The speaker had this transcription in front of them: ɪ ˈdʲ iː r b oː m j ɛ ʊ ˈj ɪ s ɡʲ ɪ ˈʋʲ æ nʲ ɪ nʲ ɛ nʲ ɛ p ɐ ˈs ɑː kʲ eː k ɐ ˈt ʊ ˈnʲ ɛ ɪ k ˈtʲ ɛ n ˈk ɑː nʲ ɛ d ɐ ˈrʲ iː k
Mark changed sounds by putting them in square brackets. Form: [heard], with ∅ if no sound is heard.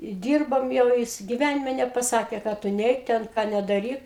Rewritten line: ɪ ˈdʲ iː r b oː m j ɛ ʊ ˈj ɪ s ɡʲ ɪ ˈʋʲ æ nʲ ɪ [mʲ] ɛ nʲ ɛ p ɐ ˈs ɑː kʲ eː k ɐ ˈt ʊ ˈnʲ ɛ ɪ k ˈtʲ ɛ n ˈk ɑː nʲ ɛ d ɐ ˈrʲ iː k